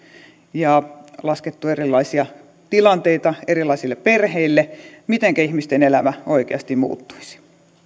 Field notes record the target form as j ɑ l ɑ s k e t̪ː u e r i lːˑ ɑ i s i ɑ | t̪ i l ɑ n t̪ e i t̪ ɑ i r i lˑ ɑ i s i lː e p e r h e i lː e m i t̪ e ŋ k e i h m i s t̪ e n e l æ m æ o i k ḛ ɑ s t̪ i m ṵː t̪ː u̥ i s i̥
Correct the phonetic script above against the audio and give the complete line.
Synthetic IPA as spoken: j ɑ l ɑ s k e t̪ː u e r i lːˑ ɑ i s i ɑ | t̪ i l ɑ n t̪ e i t̪ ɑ e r i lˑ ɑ i s i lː e p e r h e i lː e m i t̪ e ŋ k æ i h m i s t̪ e n e l æ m æ o i k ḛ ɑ s t̪ i m ṵː t̪ː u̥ i s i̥